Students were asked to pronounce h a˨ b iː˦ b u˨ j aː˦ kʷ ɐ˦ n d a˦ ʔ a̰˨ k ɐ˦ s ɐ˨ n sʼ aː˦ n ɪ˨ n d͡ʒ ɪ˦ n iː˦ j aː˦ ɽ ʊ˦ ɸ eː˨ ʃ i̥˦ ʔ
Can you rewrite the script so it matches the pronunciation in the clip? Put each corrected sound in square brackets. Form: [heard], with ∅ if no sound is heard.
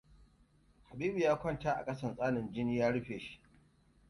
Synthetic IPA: h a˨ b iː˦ b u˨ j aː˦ kʷ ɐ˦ n [t] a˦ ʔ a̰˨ [kʼ] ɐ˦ s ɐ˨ n sʼ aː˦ n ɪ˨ n d͡ʒ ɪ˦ n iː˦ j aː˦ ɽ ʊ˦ ɸ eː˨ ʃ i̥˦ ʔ